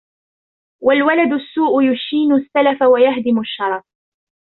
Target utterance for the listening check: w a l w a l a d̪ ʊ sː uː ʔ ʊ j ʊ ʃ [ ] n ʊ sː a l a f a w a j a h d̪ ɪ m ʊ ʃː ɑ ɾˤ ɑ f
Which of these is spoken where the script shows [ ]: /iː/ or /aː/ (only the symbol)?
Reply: iː